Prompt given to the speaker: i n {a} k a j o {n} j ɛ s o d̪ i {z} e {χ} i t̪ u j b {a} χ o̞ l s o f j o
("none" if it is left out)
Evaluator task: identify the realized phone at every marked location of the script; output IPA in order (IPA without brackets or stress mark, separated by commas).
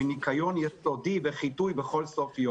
i, n, v, χ, e